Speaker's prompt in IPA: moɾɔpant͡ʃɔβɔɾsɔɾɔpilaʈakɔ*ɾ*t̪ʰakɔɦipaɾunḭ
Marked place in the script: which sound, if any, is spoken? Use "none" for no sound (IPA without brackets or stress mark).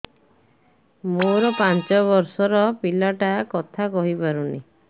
none